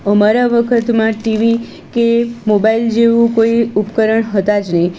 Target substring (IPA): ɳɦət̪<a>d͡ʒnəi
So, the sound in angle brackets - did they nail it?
yes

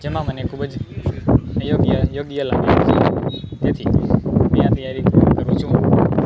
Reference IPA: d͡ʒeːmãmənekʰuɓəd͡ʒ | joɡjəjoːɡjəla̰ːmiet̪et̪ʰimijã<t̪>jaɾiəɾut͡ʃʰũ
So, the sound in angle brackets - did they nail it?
yes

